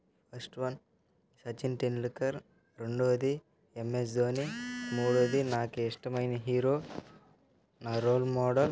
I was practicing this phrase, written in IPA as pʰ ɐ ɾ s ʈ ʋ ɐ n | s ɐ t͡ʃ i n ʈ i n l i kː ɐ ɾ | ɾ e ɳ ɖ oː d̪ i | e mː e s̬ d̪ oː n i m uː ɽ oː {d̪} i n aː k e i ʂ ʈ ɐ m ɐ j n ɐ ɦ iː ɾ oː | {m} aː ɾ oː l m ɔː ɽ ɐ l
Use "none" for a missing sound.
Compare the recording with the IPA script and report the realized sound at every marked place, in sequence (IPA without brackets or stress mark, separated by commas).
d̪, n